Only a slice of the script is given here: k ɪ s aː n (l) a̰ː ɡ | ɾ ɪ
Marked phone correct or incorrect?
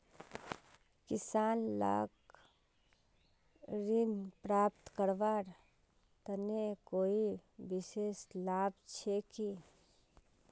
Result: correct